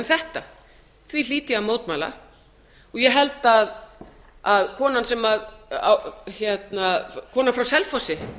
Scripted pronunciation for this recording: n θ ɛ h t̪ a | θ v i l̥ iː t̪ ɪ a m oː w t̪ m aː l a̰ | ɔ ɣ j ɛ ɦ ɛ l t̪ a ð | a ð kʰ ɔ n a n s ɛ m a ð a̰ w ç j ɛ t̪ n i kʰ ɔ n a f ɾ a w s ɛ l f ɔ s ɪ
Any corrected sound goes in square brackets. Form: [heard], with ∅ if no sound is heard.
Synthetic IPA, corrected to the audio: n θ ɛ h t̪ a | θ v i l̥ iː t̪ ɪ a m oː w t̪ m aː l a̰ | ɔ ɣ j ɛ ɦ ɛ l t̪ a ð | a ð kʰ [ɔː] n a n s ɛ m a ð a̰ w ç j ɛ t̪ n [a] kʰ [ɔː] n a f ɾ a w s ɛ l f ɔ s ɪ